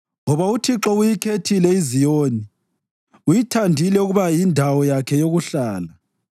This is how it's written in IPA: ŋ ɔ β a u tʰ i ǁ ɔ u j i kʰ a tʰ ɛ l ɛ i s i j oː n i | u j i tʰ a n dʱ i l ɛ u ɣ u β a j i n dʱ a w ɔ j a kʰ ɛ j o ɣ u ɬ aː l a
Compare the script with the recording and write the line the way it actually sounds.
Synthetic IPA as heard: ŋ ɔ β a u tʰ i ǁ ɔ u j i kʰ e tʰ i l ɛ i z i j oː n i | u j i tʰ a n dʱ i l ɛ u ɣ u β a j i n dʱ a w ɔ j a kʰ ɛ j o ɣ u ɬ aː l a